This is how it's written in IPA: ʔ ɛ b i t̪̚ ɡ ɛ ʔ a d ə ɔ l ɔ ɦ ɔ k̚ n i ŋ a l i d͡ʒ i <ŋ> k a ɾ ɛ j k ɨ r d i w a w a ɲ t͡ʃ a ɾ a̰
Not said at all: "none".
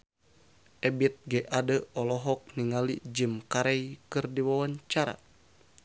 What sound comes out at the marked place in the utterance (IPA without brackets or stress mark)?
m